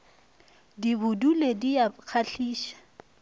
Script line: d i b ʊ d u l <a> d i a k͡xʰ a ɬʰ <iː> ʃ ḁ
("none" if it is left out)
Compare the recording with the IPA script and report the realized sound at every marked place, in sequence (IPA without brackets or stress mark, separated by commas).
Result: e, iː